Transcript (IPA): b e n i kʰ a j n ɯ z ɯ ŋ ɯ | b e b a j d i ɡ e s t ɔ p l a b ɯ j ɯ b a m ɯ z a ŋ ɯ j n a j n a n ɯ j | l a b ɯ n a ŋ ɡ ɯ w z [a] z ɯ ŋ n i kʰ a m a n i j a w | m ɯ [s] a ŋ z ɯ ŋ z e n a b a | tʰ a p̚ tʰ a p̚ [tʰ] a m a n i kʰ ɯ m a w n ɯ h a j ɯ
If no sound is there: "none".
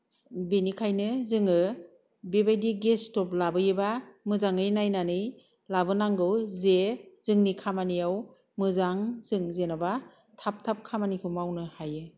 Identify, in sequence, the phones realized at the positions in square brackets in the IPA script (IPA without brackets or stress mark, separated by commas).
e, z, kʰ